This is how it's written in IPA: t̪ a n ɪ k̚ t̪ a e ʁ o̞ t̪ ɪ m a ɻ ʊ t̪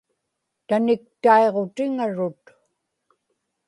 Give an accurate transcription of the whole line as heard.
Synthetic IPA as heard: t̪ a n ɪ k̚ t̪ a e ʁ o̞ t̪ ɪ ŋ a ɻ ʊ t̪